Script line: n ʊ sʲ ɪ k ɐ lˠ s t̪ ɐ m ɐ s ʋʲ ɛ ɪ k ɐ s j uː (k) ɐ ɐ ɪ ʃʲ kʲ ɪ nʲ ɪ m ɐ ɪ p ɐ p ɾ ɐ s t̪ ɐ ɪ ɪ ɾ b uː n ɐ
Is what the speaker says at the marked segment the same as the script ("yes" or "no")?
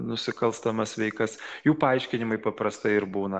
no